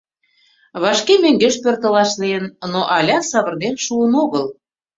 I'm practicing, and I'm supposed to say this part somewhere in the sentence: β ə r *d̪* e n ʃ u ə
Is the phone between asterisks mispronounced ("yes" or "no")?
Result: no